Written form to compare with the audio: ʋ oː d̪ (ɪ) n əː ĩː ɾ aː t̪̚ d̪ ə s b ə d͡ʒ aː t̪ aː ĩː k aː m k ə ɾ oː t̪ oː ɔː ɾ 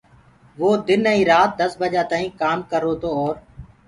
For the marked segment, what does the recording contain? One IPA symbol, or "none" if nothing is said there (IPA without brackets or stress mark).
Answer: ɪ